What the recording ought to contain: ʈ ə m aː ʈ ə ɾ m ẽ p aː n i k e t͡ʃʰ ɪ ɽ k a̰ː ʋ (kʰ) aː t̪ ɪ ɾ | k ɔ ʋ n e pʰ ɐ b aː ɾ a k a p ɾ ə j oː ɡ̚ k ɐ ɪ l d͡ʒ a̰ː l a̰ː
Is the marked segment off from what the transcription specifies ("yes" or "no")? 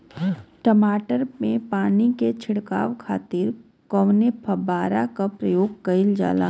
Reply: no